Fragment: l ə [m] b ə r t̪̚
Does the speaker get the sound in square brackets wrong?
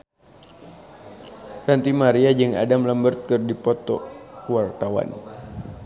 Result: no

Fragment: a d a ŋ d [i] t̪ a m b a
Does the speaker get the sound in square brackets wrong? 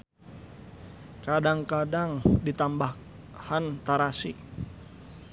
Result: no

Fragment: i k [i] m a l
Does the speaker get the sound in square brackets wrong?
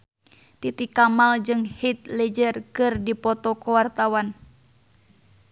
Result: yes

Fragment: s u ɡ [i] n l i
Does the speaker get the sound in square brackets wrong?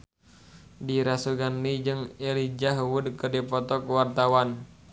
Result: yes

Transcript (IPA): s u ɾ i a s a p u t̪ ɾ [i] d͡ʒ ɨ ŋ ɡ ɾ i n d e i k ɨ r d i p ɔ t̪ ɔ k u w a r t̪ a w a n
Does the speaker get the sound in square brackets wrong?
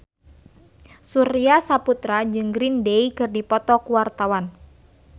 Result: yes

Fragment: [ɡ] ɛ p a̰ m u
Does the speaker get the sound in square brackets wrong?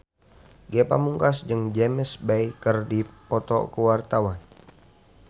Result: no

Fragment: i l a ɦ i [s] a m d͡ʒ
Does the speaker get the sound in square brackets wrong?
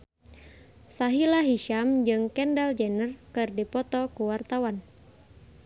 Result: yes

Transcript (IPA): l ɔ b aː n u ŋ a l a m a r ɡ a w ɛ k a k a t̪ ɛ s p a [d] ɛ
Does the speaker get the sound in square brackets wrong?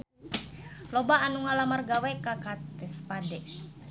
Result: no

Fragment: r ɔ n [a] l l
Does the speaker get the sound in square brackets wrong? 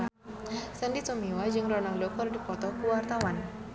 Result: no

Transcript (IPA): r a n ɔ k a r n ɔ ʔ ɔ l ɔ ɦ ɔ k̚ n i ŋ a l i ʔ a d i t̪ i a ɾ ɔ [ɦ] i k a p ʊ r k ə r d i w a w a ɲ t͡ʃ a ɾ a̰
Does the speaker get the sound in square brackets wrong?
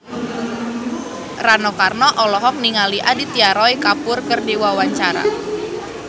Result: yes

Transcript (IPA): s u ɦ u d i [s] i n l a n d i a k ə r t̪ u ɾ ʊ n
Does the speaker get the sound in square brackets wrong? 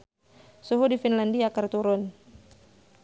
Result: yes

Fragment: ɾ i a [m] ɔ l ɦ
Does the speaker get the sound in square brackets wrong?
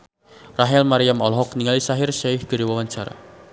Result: no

